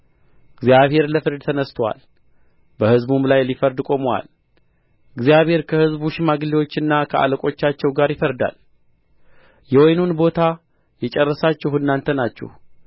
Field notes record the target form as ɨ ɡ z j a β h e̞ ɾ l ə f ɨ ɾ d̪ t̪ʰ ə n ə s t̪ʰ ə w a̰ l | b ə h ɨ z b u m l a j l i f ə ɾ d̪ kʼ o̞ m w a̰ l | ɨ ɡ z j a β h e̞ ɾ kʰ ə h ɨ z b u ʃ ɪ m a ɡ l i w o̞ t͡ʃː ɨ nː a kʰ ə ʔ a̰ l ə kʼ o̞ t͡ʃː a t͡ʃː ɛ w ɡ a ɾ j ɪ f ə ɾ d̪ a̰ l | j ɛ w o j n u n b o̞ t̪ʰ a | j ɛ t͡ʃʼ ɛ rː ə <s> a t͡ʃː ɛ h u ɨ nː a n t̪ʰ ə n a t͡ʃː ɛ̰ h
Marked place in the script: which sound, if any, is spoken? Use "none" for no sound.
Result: s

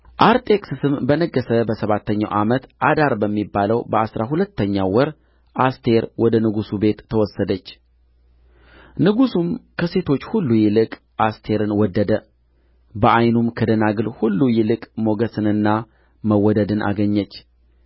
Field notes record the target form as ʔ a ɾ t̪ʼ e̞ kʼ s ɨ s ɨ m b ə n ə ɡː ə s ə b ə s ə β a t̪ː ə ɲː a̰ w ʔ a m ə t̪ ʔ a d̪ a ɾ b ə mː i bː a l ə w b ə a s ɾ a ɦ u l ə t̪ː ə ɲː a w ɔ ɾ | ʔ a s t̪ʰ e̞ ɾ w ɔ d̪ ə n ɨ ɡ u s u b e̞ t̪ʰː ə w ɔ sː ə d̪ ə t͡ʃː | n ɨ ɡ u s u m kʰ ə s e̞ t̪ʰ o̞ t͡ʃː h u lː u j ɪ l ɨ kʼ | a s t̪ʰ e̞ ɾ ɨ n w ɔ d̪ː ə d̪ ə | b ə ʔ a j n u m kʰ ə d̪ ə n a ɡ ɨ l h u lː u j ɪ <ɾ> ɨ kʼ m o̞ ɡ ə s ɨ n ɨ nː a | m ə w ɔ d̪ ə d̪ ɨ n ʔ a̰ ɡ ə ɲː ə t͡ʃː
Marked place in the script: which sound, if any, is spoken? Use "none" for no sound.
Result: l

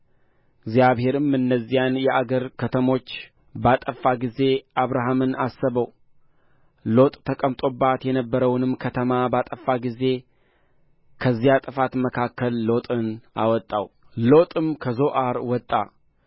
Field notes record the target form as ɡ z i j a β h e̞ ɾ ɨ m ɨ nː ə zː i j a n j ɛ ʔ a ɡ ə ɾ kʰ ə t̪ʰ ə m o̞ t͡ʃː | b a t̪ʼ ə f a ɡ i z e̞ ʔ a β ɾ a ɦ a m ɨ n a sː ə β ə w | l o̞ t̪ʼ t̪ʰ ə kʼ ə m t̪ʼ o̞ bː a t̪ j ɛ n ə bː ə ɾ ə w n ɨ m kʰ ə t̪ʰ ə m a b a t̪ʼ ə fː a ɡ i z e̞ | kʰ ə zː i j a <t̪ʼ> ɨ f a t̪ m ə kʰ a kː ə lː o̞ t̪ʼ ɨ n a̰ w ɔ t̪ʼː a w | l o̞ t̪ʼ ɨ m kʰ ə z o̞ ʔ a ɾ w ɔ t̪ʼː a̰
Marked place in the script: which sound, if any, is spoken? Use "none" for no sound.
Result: t̪ʼ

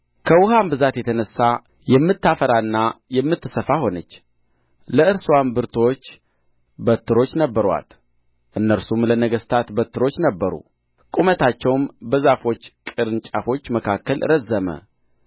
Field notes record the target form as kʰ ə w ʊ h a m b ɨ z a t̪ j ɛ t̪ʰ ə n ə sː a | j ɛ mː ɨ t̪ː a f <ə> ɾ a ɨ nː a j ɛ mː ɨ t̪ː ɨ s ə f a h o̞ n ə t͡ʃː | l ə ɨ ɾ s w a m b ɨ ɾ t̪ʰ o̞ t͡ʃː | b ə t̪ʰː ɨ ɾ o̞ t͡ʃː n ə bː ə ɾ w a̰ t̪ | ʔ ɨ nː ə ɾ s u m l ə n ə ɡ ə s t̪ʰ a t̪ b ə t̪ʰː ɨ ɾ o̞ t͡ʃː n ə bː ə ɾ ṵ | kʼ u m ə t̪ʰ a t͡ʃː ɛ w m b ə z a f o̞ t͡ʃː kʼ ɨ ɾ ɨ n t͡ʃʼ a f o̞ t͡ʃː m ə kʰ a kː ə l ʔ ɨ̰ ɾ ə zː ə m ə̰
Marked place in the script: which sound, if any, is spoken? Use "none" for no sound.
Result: ə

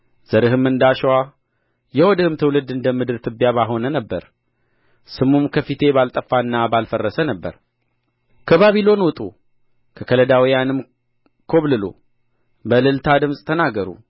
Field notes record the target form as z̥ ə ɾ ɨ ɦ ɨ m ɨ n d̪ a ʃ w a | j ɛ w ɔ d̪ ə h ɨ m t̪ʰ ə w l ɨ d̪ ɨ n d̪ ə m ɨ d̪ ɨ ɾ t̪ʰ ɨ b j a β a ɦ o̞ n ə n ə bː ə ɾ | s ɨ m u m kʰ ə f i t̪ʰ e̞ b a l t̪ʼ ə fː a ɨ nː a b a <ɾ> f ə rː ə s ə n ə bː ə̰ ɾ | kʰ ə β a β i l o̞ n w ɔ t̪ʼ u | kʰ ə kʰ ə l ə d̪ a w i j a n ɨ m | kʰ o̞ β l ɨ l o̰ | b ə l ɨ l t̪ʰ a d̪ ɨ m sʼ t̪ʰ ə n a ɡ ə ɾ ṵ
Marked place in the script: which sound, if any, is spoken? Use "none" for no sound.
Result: l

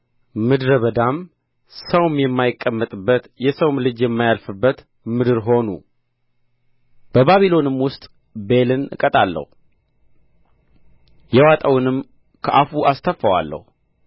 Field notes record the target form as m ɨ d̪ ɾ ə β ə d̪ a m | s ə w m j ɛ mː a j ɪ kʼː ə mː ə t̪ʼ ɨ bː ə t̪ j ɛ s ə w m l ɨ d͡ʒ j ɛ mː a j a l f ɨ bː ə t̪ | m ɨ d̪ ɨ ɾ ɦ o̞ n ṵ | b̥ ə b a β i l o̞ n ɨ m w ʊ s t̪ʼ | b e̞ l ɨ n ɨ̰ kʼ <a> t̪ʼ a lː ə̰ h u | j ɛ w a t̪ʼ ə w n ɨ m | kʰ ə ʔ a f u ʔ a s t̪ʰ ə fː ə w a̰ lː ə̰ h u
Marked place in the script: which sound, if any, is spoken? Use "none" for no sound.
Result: ə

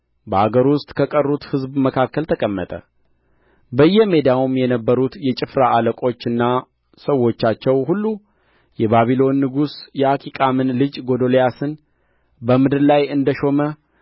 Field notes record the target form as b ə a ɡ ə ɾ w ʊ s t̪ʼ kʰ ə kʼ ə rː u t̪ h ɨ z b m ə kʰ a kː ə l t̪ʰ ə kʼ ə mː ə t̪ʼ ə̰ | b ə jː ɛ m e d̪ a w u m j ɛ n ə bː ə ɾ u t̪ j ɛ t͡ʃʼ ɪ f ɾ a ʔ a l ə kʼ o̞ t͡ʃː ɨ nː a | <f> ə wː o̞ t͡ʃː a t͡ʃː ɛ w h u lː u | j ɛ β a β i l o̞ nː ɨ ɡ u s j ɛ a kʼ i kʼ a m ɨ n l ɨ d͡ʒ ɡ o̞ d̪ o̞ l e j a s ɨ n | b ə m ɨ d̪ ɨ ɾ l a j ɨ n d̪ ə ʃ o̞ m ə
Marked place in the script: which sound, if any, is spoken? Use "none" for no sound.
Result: s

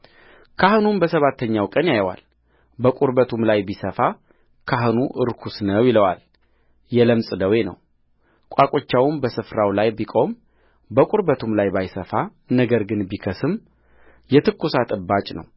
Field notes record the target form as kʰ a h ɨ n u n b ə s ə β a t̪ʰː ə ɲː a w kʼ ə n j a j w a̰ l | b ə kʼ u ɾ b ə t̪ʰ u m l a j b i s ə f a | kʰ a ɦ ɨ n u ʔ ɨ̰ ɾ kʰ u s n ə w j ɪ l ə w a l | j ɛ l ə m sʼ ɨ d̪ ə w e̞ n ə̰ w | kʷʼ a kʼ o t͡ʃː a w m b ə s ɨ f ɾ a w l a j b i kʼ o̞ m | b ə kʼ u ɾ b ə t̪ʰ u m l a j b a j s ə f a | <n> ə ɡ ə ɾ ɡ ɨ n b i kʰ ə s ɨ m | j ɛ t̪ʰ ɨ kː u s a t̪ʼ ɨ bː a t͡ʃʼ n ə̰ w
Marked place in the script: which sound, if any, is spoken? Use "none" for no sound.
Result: n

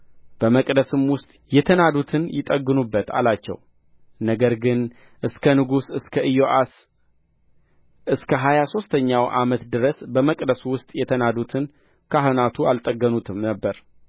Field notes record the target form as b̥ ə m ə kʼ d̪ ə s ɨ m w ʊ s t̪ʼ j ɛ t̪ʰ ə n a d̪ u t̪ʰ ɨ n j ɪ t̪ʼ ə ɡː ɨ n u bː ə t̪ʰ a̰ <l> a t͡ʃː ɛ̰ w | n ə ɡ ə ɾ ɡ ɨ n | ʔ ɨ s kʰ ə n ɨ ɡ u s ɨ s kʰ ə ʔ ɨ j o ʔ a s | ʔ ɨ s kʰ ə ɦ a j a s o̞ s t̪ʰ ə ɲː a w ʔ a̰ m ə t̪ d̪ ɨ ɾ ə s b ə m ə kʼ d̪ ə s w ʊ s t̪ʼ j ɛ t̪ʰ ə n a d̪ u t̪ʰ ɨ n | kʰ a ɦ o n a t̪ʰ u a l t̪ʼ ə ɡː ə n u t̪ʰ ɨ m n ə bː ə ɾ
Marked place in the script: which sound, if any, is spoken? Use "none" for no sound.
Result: l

